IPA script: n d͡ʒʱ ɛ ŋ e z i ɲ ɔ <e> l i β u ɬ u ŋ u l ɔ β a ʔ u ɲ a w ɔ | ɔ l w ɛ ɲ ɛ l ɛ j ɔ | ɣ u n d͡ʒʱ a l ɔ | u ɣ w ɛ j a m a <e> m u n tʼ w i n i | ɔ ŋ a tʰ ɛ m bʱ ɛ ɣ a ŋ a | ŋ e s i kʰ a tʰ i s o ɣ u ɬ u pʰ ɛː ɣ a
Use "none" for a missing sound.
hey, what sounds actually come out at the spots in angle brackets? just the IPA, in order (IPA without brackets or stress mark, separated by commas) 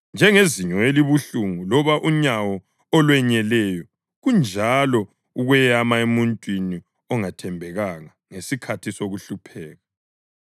e, e